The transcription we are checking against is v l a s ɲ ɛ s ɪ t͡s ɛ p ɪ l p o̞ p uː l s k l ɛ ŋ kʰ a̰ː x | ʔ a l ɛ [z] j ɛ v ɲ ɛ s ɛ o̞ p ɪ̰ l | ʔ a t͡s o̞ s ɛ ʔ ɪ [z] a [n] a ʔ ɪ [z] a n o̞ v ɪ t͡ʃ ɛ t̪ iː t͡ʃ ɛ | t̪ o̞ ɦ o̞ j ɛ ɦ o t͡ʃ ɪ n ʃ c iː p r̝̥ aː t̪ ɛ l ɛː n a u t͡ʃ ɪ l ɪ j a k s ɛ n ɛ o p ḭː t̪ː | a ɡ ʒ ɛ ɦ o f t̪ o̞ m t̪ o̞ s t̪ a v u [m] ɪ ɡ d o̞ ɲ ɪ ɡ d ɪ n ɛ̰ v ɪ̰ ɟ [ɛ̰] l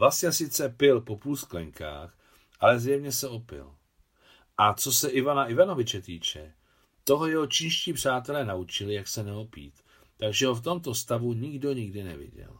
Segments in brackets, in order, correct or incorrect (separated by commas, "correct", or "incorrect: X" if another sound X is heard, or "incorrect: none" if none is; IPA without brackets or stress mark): correct, incorrect: v, correct, incorrect: v, incorrect: ɲ, correct